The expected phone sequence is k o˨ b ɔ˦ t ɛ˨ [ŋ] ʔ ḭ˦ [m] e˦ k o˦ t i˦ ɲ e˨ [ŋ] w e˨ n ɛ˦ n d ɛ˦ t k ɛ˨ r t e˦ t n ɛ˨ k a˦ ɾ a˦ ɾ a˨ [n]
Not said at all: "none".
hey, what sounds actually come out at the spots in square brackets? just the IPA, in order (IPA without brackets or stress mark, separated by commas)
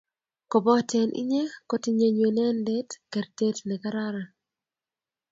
n, ɲ, ɲ, none